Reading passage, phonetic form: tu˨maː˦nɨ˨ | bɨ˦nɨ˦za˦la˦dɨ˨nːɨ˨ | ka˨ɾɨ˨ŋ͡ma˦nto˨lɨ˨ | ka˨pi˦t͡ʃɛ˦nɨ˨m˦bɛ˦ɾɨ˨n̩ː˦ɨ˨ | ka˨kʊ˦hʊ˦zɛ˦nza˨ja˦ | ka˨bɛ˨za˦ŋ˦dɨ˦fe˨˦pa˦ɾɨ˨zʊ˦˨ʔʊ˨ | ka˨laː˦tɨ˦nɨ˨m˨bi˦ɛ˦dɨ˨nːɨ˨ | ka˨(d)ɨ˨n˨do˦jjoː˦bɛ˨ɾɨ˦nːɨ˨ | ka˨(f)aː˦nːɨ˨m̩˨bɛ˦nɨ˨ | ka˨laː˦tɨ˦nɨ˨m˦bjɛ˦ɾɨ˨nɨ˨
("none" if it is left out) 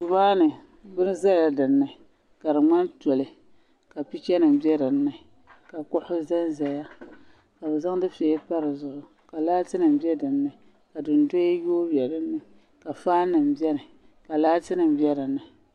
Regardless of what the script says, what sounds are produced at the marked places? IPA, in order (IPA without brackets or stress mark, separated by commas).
d, f